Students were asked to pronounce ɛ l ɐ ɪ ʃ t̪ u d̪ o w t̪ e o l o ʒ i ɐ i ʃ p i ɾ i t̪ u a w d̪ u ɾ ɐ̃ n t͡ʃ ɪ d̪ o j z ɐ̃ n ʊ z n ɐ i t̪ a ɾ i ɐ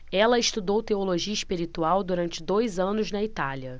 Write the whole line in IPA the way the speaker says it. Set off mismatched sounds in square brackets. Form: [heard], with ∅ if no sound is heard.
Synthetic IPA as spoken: ɛ l ɐ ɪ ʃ t̪ u d̪ o w t̪ e o l o ʒ i ɐ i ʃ p i ɾ i t̪ u a w d̪ u ɾ ɐ̃ n t͡ʃ ɪ d̪ o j z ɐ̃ n ʊ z n ɐ i t̪ a [l] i ɐ